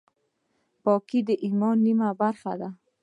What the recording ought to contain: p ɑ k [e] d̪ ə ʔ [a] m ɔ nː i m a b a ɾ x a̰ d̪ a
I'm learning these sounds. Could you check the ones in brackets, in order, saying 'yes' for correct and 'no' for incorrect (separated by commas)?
no, no